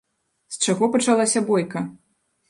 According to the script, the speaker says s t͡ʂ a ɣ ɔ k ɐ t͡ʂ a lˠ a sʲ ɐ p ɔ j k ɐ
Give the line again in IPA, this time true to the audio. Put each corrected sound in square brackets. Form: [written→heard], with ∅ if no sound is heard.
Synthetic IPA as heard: s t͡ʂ a ɣ ɔ [k→p] ɐ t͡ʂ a lˠ a sʲ ɐ [p→b] ɔ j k ɐ